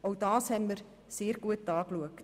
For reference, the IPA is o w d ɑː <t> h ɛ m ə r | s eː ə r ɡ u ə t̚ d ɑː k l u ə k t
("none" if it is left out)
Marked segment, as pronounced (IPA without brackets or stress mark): s